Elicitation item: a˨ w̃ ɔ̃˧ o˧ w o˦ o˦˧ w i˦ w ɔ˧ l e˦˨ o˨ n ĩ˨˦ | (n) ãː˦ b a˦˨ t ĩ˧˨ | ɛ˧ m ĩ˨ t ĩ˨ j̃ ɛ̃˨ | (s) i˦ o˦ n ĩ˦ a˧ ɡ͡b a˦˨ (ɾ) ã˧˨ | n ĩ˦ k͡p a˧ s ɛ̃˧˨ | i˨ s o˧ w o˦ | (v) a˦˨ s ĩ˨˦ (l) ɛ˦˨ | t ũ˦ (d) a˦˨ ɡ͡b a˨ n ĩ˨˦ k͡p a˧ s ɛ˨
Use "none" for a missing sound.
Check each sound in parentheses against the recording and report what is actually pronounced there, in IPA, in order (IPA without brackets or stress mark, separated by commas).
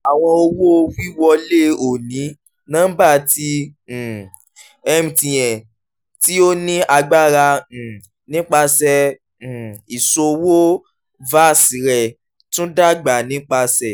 n, t, ɾ, v, ɾ, d